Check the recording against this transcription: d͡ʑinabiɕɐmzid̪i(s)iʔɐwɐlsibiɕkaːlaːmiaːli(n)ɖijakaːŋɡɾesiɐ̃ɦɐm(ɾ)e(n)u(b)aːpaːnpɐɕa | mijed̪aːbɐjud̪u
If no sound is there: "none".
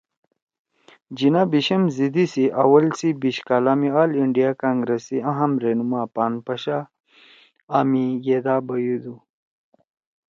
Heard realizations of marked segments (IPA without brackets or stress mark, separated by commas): s, ɳ, ɾ, n, m